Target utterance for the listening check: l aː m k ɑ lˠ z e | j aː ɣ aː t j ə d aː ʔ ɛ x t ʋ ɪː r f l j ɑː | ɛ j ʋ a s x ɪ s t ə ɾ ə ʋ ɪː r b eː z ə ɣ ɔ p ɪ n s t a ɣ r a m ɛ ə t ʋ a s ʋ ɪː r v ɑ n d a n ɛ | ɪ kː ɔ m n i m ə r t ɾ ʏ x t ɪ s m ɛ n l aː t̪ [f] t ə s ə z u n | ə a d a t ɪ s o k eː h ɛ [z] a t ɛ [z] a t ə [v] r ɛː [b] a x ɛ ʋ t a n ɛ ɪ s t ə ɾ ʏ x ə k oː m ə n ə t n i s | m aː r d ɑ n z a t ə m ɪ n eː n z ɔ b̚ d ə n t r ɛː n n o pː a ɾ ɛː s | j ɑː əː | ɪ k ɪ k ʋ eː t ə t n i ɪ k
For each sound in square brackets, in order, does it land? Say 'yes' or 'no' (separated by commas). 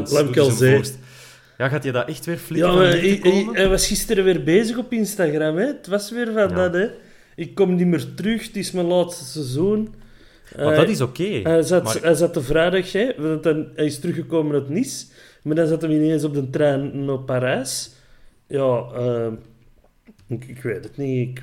no, yes, yes, yes, no